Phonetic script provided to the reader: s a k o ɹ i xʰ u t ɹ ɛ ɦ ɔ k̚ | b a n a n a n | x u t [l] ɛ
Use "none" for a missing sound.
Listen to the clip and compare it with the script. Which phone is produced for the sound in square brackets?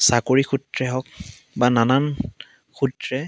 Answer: ɹ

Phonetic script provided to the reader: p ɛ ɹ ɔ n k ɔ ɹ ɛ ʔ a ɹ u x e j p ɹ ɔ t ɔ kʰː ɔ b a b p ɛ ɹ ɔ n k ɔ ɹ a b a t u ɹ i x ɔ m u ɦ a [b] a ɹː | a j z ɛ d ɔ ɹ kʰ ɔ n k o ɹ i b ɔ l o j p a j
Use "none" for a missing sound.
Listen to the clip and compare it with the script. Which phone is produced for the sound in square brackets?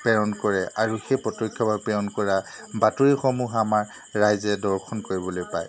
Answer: m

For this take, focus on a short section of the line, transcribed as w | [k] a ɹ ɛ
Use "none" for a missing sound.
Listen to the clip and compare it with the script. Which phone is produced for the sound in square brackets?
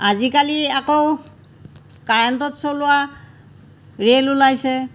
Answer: k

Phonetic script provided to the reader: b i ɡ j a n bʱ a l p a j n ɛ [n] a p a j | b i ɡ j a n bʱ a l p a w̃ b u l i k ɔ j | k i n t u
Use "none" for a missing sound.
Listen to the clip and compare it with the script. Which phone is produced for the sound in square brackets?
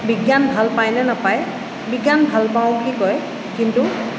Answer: n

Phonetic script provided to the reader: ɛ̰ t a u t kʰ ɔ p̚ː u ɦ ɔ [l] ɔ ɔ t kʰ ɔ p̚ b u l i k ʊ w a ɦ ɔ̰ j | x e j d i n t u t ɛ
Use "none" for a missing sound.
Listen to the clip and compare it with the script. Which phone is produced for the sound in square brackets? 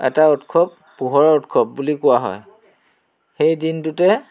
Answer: ɹ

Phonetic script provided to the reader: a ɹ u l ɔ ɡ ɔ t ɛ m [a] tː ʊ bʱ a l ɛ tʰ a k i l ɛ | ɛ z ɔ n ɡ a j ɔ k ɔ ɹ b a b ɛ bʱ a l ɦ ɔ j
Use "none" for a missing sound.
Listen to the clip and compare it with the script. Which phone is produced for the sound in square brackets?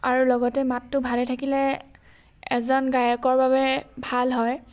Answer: a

